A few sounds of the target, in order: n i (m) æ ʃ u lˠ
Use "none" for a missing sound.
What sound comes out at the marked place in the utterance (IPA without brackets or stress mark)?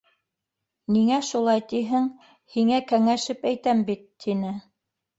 ŋ